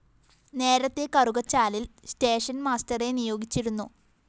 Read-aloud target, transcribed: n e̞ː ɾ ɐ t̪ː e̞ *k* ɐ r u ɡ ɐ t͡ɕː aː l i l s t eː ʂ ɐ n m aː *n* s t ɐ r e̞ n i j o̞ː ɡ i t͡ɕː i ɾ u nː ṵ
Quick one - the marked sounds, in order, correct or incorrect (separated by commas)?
correct, incorrect